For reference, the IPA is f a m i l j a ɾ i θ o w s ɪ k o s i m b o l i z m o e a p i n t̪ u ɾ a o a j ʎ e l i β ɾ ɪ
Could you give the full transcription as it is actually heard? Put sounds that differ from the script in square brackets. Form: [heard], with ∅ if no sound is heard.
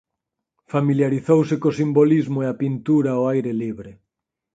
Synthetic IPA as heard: f a m i l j a ɾ i θ o w s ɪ k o s i m b o l i z m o e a p i n t̪ u ɾ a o a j [ɾ] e l i β ɾ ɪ